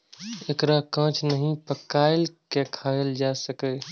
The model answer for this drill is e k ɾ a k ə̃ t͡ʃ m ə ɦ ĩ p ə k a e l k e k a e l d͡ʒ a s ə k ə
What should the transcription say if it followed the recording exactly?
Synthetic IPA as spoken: e k ɾ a k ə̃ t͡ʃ n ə ɦ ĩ p ə k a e l k e kʰ a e l d͡ʒ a s ə k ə

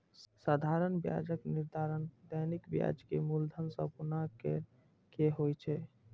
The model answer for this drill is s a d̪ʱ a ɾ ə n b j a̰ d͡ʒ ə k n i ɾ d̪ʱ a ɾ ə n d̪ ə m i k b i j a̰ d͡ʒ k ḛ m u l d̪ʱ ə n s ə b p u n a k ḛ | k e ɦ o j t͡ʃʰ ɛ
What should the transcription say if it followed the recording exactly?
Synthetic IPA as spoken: s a d̪ʱ a ɾ ə n b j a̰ d͡ʒ ə k n i ɾ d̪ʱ a ɾ ə n d̪ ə n i k b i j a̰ d͡ʒ k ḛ m u l d̪ʱ ə n s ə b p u n a k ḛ | k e ɦ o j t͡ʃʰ ɛ

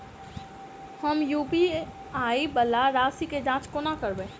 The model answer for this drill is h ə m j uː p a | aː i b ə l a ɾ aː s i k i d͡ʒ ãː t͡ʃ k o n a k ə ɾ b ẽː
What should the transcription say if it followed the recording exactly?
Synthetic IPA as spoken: h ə m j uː p i | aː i b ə l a ɾ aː s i k e d͡ʒ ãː t͡ʃ k o n a k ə ɾ b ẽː

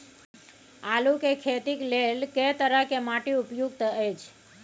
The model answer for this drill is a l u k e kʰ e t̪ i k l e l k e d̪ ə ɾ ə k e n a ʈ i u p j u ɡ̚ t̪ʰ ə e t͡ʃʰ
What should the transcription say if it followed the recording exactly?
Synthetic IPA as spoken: a l u k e kʰ e t̪ i k l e l k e t̪ ə ɾ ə k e m a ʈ i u p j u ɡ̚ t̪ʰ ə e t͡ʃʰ

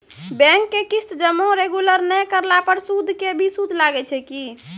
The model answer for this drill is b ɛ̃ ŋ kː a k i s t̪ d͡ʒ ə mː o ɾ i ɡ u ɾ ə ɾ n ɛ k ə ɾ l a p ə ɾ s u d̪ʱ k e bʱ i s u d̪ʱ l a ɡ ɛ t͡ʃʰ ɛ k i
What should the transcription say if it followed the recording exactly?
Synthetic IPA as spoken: b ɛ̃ ŋ kː e k i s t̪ d͡ʒ ə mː o ɾ e ɡ u l ə ɾ n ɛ k ə ɾ l a p ə ɾ s u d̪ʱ k e bʱ i s u d̪ʱ l a ɡ ɛ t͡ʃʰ ɛ k i

